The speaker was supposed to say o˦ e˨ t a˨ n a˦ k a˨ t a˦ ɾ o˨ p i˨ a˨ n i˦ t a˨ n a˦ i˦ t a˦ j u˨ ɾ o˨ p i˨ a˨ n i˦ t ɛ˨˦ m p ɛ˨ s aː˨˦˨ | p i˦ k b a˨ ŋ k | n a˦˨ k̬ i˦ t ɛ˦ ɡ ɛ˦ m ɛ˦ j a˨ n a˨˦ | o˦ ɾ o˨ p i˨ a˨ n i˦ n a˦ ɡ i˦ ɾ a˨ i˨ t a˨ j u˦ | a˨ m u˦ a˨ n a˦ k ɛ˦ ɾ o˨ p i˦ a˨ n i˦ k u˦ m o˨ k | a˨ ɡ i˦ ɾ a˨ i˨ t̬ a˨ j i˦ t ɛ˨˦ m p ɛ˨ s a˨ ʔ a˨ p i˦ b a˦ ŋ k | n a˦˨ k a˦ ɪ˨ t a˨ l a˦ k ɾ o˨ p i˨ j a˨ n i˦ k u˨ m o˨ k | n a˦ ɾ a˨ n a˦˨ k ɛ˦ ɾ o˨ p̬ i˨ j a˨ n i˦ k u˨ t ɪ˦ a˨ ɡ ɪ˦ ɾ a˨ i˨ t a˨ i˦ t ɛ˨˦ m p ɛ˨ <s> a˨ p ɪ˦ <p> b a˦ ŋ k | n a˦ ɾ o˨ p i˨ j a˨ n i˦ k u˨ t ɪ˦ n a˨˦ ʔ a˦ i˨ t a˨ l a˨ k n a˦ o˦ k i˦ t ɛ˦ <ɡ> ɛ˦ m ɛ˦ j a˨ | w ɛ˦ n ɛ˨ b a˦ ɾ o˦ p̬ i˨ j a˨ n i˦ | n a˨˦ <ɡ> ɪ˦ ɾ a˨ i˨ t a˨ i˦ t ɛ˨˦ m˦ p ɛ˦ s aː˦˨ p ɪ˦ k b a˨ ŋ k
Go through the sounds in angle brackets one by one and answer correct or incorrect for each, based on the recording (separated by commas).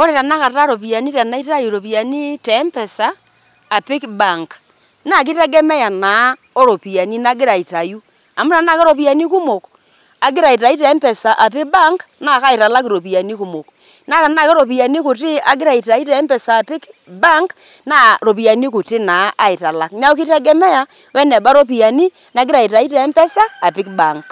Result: correct, incorrect, correct, correct